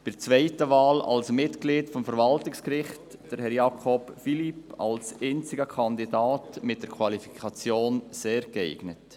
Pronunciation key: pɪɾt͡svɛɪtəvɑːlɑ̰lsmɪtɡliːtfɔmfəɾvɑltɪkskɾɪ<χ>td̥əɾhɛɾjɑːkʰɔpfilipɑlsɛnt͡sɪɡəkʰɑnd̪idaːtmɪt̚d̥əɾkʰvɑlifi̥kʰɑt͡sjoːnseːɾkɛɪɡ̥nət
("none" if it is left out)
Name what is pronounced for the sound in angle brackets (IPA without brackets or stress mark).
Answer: χ